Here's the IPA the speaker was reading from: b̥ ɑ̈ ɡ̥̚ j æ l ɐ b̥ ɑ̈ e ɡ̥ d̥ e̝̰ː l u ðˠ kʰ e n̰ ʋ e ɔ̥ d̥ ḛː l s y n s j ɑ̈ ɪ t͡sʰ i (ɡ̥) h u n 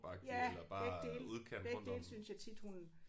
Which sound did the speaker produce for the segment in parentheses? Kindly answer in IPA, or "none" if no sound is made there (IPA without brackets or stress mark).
d̥